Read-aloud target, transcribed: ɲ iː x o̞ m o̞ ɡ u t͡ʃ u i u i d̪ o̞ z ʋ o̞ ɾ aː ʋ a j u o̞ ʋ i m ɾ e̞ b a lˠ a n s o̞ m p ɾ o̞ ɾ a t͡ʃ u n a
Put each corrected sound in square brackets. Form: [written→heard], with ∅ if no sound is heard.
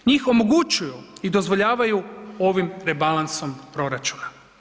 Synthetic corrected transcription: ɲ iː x o̞ m o̞ ɡ u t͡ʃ u [i→j] u i d̪ o̞ z ʋ o̞ [ɾ→ʎ] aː ʋ a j u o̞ ʋ i m ɾ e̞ b a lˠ a n s o̞ m p ɾ o̞ ɾ a t͡ʃ u n a